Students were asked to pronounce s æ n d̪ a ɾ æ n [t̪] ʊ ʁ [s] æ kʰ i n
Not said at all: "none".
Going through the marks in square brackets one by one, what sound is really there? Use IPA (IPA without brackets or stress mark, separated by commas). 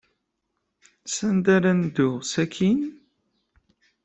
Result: d̪, s